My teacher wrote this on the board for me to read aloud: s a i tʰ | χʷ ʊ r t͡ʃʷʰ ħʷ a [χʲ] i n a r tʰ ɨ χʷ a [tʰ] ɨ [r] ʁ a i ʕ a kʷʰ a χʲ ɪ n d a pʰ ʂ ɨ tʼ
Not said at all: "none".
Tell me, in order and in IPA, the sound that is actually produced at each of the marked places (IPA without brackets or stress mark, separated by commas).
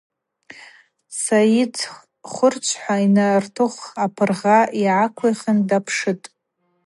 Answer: none, pʰ, r